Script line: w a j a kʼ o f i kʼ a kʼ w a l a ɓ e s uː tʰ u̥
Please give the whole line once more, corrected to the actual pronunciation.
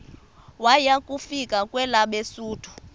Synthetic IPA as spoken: w a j a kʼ u f i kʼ a kʼ w ɛ l a ɓ e s uː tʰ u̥